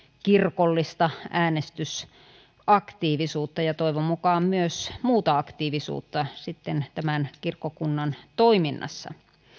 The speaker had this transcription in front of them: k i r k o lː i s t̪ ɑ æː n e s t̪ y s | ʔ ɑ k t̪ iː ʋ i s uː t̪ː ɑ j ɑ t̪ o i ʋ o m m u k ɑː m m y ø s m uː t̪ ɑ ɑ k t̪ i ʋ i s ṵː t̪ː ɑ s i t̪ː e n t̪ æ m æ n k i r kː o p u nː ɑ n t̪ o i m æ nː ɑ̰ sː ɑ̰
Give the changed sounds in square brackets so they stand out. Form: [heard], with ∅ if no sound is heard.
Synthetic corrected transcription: k i r k o lː i s t̪ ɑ æː n e s t̪ y s | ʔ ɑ k t̪ iː ʋ i s uː t̪ː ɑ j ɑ t̪ o i ʋ o m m u k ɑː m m y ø s m uː t̪ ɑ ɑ k t̪ [iː] ʋ i s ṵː t̪ː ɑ s i t̪ː e n t̪ æ m æ n k i r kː o [k] u nː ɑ n t̪ o i m [i] nː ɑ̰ sː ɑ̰